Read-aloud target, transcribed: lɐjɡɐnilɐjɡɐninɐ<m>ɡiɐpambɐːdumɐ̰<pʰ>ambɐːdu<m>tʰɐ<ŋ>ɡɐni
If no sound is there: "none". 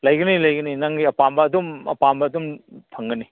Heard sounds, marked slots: ŋ, p, m, ŋ

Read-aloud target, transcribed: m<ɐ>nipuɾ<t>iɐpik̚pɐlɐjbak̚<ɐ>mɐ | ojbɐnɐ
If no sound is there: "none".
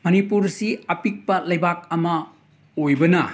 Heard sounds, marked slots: ɐ, s, ɐ

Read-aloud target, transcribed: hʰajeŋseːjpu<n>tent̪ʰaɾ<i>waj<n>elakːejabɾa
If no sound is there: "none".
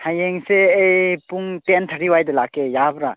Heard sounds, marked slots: ŋ, i, d

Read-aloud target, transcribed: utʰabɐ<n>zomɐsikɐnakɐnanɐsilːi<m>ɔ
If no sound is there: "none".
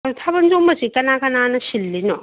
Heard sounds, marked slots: n, n

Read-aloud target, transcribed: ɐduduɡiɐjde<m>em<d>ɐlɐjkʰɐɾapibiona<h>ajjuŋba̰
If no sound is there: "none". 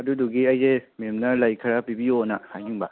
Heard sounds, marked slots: m, n, h

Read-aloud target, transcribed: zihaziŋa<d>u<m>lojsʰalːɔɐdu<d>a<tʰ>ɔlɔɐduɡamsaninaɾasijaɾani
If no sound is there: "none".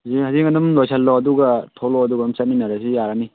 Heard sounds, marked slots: n, m, ɡ, tʰ

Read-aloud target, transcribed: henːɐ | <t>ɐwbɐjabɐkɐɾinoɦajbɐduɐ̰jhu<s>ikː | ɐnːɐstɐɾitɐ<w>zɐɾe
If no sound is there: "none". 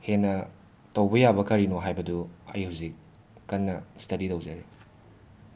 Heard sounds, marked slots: t, z, w

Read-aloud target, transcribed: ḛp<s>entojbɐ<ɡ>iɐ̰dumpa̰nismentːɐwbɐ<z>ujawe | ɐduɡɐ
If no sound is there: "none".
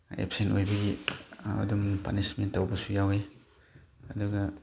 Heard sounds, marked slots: s, ɡ, s

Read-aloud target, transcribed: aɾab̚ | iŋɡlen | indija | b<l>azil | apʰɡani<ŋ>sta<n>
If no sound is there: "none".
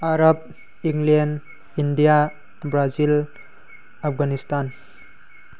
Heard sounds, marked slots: ɾ, none, n

